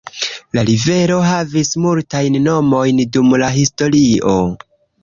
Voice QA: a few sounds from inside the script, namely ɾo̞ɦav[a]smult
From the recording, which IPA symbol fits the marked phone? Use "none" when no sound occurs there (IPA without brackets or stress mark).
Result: i